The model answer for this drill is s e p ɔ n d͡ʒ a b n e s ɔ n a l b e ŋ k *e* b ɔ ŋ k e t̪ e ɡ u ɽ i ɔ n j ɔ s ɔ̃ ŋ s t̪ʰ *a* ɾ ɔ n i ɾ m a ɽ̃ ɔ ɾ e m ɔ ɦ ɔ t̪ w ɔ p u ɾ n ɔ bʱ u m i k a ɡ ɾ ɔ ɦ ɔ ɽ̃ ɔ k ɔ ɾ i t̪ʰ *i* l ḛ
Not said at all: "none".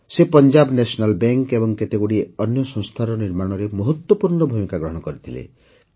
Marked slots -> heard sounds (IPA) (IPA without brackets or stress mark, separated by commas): e, a, i